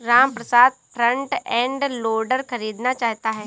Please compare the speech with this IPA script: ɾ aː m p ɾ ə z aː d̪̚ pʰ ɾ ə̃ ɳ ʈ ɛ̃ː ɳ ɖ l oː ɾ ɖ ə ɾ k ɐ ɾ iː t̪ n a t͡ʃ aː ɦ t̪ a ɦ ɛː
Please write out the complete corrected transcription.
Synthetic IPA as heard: ɾ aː m p ɾ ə s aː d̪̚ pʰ ɾ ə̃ ɳ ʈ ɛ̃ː ɳ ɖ l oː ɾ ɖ ə ɾ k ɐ ɾ iː d̪ n a t͡ʃ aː ɦ t̪ a ɦ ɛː